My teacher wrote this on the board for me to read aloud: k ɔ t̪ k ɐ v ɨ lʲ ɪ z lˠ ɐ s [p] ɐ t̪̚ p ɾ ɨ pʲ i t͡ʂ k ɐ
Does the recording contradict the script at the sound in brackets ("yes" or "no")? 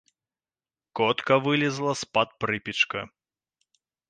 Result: no